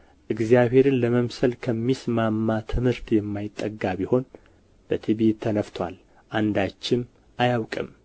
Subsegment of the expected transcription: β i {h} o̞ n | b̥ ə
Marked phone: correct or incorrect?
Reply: correct